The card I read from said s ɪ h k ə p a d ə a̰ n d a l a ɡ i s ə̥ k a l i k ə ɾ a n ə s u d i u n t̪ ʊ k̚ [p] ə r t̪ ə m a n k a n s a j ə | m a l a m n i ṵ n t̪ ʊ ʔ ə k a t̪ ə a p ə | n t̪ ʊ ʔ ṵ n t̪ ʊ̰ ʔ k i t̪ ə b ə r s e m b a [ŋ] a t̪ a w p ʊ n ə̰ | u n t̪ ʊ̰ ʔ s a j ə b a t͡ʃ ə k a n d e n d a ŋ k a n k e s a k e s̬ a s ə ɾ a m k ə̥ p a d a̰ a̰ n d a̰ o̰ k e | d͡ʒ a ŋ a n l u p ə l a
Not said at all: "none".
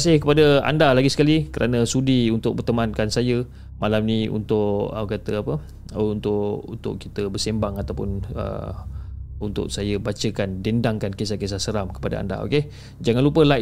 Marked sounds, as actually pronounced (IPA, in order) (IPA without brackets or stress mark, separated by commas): b, ŋ